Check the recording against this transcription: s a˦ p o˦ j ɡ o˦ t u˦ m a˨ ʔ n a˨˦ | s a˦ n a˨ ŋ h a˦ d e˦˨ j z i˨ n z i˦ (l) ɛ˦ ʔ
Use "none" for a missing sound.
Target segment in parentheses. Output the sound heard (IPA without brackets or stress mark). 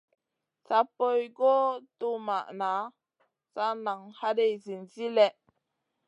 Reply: l